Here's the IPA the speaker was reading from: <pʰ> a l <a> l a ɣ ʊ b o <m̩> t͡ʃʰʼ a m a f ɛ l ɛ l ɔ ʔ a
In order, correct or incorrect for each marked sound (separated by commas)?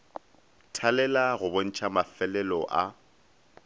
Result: incorrect, incorrect, incorrect